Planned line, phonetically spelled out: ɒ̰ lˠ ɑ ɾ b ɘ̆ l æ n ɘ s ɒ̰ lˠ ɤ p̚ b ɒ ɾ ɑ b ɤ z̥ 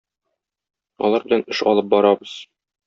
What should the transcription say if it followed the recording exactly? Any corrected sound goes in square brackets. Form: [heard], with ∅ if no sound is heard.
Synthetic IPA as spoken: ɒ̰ lˠ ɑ ɾ b ɘ̆ l æ n ɘ [ʃ] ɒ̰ lˠ ɤ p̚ b ɒ ɾ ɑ b ɤ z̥